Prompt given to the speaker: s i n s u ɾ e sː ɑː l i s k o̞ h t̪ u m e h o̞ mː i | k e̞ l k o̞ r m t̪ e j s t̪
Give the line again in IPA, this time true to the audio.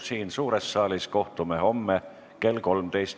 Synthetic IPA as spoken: s iː n s uː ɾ e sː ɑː l i s k o̞ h t̪ u m e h o̞ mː e | k e̞ l k o̞ l m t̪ e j s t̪